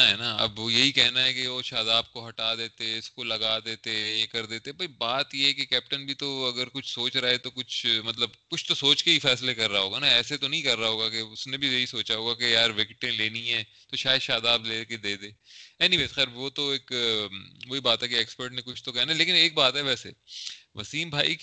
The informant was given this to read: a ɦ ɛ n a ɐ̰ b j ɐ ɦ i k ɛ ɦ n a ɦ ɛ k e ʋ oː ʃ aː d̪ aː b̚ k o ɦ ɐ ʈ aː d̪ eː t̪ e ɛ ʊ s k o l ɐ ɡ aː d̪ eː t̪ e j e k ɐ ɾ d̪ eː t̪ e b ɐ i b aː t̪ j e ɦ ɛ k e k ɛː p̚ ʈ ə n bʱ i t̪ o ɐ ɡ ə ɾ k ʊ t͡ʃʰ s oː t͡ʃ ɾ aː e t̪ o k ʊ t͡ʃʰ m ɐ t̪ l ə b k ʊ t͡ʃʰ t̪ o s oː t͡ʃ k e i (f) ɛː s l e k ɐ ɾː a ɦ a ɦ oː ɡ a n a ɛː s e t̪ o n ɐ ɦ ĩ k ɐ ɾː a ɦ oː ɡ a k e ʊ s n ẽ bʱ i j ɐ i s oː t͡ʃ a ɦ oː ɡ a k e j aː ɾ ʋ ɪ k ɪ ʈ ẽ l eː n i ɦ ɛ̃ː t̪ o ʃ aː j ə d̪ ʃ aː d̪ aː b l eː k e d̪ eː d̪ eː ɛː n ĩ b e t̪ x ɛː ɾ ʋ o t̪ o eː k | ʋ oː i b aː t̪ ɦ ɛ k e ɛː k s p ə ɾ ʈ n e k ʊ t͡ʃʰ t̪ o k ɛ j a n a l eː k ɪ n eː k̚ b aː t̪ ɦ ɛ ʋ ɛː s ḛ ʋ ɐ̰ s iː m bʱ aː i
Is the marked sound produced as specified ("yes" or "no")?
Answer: yes